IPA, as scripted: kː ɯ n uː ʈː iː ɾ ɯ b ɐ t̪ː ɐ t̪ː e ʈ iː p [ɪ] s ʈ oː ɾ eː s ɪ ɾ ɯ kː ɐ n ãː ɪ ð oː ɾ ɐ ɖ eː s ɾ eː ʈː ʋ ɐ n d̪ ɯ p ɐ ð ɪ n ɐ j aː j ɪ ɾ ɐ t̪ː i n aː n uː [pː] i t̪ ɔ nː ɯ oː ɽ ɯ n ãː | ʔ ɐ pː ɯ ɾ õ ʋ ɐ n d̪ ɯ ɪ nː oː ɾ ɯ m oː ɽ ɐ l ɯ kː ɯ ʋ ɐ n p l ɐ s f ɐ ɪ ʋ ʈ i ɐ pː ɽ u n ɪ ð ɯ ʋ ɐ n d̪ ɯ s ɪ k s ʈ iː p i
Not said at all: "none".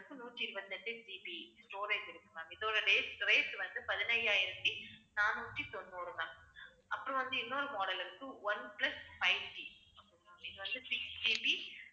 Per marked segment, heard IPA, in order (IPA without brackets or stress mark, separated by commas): i, ʈː